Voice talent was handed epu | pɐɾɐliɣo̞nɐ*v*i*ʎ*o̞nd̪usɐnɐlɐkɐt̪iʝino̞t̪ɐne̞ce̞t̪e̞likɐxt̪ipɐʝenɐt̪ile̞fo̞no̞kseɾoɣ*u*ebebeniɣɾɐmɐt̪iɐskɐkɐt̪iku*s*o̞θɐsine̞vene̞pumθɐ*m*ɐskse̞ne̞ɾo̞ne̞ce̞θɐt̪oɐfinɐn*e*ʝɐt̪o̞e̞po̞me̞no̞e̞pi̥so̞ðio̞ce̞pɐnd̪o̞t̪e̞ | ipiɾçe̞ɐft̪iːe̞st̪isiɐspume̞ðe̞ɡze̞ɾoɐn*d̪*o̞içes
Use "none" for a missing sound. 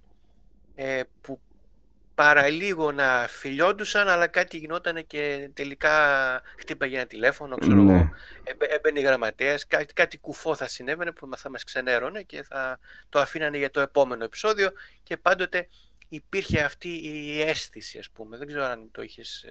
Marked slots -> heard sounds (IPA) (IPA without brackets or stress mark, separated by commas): f, ʎ, o, f, m, e, t̪